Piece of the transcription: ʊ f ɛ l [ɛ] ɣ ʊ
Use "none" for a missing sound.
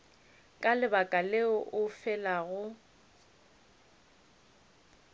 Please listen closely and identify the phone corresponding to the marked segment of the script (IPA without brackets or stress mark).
a